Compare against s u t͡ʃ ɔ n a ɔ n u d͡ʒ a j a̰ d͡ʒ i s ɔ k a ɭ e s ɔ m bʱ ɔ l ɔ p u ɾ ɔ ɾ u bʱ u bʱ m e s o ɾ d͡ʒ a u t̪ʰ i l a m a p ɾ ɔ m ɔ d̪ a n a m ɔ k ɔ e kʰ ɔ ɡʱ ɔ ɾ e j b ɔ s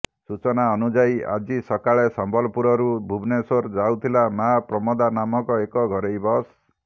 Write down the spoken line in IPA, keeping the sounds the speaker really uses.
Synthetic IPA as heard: s u t͡ʃ ɔ n a ɔ n u d͡ʒ a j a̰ d͡ʒ i s ɔ k a ɭ e s ɔ m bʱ ɔ l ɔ p u ɾ ɔ ɾ u bʱ u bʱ n e s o ɾ d͡ʒ a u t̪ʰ i l a m a p ɾ ɔ m ɔ d̪ a n a m ɔ k ɔ e k ɔ ɡʱ ɔ ɾ e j b ɔ s